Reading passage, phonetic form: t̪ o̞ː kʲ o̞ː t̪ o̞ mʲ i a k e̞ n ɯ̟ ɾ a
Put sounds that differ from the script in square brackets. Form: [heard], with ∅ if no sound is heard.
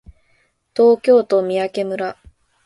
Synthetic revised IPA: t̪ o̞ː kʲ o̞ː t̪ o̞ mʲ i a k e̞ [m] ɯ̟ ɾ a